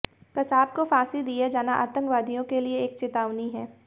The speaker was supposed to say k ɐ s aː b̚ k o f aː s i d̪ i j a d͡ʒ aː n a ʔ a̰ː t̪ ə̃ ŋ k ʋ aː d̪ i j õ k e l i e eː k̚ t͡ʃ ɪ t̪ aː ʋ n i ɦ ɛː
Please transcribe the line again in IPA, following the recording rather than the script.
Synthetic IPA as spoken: k ɐ s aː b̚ k o f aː s i d̪ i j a d͡ʒ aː n a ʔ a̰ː t̪ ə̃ ŋ k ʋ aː d̪ i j õ k e l i e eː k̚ t͡ʃ ɪ t̪ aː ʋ n i ɦ ɛː

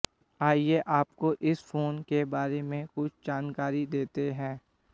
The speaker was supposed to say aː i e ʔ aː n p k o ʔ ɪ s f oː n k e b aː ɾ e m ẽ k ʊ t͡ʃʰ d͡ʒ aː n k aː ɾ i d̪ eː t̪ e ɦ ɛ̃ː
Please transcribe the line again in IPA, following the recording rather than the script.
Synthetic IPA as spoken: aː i e ʔ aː p k o ʔ ɪ s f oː n k e b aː ɾ e m ẽ k ʊ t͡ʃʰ d͡ʒ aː n k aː ɾ i d̪ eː t̪ e ɦ ɛ̃ː

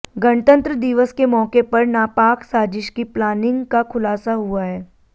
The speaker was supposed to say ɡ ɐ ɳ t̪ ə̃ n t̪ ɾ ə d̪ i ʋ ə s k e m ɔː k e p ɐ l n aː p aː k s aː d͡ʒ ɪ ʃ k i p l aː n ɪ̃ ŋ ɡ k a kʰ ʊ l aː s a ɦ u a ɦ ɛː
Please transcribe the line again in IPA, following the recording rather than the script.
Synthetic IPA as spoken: ɡ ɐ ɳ t̪ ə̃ n t̪ ɾ ə d̪ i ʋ ə s k e m ɔː k e p ɐ ɾ n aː p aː k s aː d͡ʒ ɪ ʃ k i p l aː n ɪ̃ ŋ ɡ k a kʰ ʊ l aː s a ɦ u a ɦ ɛː

